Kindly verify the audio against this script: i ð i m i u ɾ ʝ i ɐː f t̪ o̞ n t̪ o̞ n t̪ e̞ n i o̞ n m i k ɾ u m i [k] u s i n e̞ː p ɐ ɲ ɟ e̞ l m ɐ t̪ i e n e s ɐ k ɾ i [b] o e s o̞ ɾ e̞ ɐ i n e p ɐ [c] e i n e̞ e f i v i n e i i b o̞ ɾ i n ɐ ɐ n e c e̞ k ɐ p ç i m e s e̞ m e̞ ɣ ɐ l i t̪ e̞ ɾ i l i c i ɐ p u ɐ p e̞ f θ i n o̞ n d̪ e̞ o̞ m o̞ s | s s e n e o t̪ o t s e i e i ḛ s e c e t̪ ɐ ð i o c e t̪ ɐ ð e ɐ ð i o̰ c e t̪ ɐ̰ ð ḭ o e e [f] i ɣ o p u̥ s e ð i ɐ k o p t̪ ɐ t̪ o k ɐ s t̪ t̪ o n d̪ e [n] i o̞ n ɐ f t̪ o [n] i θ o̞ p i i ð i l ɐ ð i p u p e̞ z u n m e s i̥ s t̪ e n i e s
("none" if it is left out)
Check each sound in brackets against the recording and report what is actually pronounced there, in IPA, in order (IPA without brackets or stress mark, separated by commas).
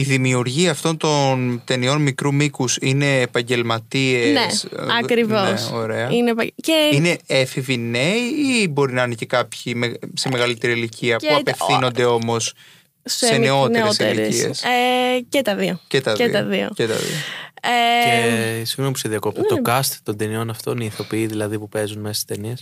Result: k, v, c, s, n, n